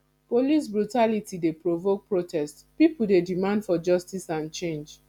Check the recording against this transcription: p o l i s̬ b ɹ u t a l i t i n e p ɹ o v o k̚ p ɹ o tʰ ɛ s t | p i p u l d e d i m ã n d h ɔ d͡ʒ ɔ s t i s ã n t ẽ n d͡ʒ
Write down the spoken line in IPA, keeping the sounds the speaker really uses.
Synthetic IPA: p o l i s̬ b ɹ u t a l i t i d e p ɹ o v o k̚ p ɹ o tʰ ɛ s t | p i p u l d e d i m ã n d f ɔ d͡ʒ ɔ s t i s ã n t͡ʃ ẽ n d͡ʒ